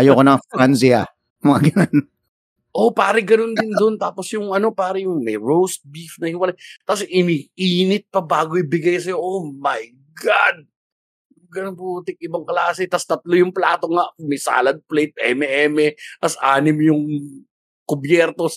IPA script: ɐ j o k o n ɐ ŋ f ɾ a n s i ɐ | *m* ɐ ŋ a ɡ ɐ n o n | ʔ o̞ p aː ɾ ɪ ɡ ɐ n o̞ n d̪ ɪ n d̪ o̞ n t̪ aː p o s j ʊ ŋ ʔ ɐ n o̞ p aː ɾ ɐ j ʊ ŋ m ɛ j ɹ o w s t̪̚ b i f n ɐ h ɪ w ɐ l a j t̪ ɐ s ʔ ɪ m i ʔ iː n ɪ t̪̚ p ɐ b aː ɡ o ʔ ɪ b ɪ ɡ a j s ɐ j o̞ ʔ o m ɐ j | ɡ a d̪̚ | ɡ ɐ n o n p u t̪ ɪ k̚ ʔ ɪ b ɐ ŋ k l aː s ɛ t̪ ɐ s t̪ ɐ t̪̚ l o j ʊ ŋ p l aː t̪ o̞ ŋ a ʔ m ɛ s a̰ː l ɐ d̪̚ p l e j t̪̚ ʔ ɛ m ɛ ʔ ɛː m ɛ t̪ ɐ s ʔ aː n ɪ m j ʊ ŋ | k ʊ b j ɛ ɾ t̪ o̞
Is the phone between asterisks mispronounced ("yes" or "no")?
no